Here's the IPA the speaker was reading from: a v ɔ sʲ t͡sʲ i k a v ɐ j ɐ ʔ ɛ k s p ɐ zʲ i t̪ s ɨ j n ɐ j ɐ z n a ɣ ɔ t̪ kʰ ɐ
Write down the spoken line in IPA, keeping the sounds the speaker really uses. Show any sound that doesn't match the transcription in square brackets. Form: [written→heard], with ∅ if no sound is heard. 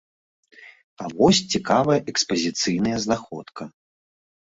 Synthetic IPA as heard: a v ɔ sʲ t͡sʲ i k a v ɐ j ɐ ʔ ɛ k s p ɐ zʲ i t̪ s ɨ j n ɐ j ɐ z n a [ɣ→x] ɔ t̪ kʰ ɐ